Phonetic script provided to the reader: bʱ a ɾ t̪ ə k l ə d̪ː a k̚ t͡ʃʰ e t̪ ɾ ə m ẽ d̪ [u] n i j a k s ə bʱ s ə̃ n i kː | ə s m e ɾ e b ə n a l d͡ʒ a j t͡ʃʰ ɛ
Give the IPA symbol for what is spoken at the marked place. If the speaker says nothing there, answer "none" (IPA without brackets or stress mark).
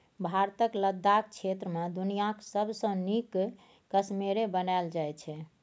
u